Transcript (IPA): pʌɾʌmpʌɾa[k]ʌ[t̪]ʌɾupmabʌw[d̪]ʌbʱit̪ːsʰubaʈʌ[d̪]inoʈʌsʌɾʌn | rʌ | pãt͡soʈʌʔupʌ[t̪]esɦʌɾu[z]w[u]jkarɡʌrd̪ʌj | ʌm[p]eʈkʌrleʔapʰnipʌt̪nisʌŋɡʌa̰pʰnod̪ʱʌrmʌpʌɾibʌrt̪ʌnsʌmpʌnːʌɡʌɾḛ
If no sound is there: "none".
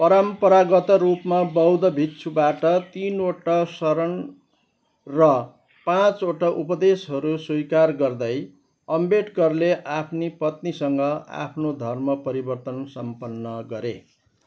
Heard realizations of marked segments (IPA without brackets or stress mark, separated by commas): ɡ, t̪, d̪, t̪, d̪, s, u, b